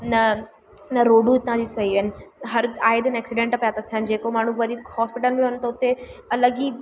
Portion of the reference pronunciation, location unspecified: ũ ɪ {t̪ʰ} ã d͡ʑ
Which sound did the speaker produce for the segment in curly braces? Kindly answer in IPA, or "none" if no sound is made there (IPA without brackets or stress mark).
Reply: t̪